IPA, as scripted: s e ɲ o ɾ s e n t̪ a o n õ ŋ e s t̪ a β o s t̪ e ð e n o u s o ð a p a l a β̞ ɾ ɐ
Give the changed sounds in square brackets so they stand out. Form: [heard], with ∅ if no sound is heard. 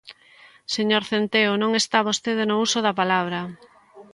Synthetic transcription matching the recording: s e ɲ o ɾ [θ] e n t̪ [e] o n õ ŋ e s t̪ a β o s t̪ e ð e n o u s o ð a p a l a β̞ ɾ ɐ